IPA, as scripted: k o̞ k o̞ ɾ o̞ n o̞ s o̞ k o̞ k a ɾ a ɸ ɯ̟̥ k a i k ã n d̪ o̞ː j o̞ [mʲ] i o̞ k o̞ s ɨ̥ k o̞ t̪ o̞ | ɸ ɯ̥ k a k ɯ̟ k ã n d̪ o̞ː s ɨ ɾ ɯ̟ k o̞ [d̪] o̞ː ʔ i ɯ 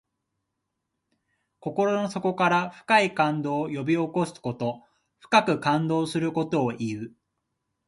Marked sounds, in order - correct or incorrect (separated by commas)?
incorrect, incorrect